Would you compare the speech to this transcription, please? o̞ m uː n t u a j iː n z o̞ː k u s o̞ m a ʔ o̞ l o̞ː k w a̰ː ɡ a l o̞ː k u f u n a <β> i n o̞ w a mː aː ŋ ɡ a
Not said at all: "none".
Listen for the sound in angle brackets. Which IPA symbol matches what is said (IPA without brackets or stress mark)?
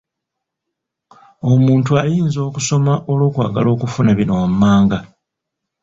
β